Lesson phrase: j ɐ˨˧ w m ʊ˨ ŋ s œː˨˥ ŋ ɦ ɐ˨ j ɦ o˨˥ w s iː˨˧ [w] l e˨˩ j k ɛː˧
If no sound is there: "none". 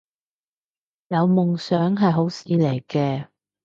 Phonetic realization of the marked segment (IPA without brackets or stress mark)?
none